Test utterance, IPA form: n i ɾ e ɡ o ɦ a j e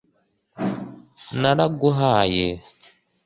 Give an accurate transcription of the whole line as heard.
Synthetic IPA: n a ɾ a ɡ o ɦ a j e